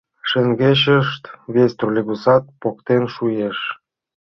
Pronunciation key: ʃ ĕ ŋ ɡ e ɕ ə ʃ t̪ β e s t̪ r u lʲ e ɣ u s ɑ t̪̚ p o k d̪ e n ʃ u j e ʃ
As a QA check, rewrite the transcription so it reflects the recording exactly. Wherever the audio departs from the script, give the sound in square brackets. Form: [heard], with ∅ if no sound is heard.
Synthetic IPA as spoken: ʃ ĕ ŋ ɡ e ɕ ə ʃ t̪ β e s t̪ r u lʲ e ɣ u s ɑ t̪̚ p o k [t̪] e n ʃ u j e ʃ

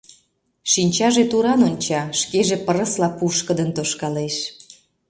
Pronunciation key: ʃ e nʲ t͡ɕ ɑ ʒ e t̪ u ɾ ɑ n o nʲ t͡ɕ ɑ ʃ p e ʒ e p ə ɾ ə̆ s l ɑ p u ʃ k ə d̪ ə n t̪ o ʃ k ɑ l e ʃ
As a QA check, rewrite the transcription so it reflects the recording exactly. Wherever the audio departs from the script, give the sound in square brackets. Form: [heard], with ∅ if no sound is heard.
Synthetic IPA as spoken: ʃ [i] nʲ t͡ɕ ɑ ʒ e t̪ u ɾ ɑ n o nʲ t͡ɕ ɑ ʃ [k] e ʒ e p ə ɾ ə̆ s l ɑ p u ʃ k ə d̪ ə n t̪ o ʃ k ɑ l e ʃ

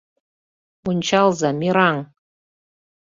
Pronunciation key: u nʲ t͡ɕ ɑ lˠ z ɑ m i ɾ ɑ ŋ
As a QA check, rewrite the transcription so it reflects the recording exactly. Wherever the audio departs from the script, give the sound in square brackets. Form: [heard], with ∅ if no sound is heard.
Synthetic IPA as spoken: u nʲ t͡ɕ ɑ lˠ z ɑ m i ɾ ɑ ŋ

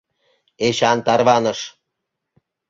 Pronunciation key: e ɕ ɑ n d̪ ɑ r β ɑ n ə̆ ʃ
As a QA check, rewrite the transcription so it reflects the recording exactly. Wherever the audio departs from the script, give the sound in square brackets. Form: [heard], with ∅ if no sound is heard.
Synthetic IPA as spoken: e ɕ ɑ n [t̪] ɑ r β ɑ n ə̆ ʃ

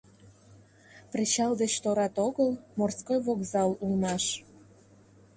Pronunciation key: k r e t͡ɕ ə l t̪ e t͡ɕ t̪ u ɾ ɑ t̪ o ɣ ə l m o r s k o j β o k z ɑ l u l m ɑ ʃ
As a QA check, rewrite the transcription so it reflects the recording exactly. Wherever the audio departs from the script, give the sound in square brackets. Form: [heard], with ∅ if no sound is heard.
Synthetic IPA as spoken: [p] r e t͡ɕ [ɑ] l [d̪] e t͡ɕ t̪ [o] ɾ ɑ t̪ o ɣ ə l m o r s k o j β o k z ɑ l u l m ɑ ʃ

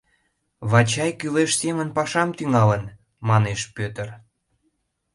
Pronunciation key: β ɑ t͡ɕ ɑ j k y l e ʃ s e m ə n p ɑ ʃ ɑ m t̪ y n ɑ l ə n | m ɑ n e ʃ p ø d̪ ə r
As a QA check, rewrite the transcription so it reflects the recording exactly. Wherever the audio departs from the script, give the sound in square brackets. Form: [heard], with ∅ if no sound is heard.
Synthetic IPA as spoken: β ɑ t͡ɕ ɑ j k y l e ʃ s e m ə n p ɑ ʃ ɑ m t̪ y [ŋ] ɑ l ə n | m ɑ n e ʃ p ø [t̪] ə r

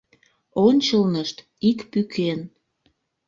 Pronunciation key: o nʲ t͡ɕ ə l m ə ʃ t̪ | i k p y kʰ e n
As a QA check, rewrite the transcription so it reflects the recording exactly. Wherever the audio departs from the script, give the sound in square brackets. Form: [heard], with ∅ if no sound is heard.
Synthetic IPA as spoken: o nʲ t͡ɕ ə l [n] ə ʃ t̪ | i k p y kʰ e n

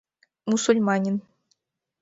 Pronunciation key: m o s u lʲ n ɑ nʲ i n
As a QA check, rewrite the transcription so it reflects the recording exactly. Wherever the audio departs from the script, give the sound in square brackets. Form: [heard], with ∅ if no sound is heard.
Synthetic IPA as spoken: m [u] s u lʲ [m] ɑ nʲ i n

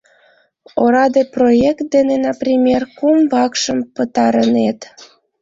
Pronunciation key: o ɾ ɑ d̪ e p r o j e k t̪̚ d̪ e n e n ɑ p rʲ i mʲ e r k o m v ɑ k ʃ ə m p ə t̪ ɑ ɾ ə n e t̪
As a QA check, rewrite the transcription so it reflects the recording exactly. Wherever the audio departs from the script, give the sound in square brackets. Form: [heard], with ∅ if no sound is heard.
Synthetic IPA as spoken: o ɾ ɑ d̪ e p r o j e k t̪̚ d̪ e n e n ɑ p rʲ i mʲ e r k [u] m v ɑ k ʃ ə m p ə t̪ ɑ ɾ ə n e t̪

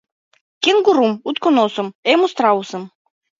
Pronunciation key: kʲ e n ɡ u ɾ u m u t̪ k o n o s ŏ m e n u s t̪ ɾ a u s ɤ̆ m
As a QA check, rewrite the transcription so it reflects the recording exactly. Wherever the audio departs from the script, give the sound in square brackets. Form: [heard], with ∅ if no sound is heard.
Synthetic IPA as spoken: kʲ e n ɡ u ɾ u m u t̪ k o n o s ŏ m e [m] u s t̪ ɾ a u s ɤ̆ m

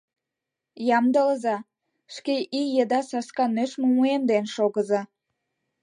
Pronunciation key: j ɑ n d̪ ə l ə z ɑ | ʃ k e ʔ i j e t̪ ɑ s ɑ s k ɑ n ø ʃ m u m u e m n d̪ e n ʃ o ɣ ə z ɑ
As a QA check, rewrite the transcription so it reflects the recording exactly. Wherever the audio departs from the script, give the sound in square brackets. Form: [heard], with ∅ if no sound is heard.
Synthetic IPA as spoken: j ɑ [m] d̪ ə l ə z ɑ | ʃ k e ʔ i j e [d̪] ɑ s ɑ s k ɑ n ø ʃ m u m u e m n d̪ e n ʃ o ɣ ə z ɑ

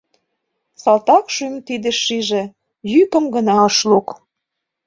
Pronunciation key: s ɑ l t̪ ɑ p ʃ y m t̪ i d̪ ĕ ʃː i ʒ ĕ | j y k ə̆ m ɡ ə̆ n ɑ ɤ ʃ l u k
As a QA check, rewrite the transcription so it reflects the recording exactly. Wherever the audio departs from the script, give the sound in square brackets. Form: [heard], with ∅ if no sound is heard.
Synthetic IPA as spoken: s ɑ l t̪ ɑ [k] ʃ y m t̪ i d̪ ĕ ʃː i ʒ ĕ | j y k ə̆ m ɡ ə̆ n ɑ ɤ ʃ l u k

